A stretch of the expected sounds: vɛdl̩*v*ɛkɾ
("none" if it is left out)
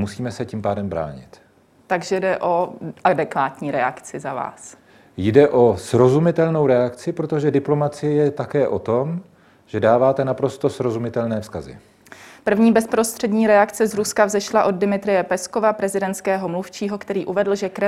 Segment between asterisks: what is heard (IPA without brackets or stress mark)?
ʒ